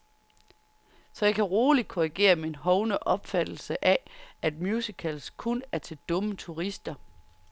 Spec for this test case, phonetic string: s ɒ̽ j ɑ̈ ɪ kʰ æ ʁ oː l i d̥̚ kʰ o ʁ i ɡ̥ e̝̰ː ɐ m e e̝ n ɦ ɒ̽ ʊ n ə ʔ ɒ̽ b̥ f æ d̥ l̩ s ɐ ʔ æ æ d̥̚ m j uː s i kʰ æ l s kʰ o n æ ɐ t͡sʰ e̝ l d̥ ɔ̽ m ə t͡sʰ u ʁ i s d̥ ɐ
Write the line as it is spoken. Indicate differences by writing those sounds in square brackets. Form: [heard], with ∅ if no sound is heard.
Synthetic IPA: s ɒ̽ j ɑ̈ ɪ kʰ æ ʁ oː l i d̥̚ kʰ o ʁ i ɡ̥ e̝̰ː ɐ m e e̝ n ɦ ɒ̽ ʊ n ə ʔ ɒ̽ b̥ f æ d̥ l̩ s [ə] ʔ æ æ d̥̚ m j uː s i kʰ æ l s kʰ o n æ ɐ t͡sʰ e̝ l d̥ ɔ̽ m ə t͡sʰ u ʁ i s d̥ ɐ